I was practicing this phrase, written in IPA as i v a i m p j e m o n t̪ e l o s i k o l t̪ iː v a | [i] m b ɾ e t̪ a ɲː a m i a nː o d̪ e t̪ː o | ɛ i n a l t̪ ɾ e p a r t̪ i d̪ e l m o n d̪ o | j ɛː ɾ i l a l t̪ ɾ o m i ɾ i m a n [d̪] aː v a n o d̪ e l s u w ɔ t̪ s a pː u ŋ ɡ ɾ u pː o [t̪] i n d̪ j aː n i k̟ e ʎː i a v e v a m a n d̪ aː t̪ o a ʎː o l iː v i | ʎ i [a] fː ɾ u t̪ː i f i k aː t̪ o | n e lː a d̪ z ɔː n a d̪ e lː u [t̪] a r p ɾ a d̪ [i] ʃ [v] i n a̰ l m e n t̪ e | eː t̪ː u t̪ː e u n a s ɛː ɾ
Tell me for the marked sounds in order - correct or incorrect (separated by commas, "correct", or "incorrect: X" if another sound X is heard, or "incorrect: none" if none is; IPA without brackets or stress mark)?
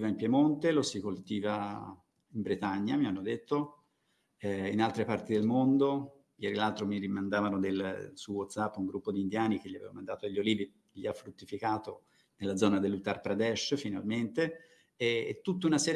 correct, correct, incorrect: d̪, correct, correct, incorrect: ɛ, incorrect: f